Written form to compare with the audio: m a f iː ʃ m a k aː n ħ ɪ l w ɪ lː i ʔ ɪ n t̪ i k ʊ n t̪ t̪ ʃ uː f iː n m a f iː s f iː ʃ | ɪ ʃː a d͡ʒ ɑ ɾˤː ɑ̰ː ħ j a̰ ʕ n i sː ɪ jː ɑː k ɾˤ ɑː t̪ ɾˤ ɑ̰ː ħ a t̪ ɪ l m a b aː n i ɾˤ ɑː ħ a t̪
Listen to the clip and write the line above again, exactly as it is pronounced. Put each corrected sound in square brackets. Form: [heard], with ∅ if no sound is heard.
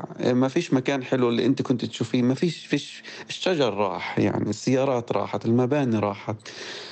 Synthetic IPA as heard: m a f iː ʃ m a k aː n ħ ɪ l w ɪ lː i ʔ ɪ n t̪ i k ʊ n t̪ t̪ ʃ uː f iː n m a f iː [ʃ] f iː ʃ | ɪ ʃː a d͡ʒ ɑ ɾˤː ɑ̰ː ħ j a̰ ʕ n i sː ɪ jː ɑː [∅] ɾˤ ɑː t̪ ɾˤ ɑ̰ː ħ a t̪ ɪ l m a b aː n i ɾˤ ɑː ħ a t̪